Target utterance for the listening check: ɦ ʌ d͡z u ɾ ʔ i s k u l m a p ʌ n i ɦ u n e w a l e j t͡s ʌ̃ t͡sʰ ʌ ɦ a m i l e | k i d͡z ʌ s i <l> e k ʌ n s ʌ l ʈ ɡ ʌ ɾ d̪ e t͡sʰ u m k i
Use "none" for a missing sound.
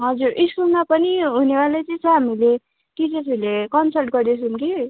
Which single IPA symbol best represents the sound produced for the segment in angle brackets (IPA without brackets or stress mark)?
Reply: l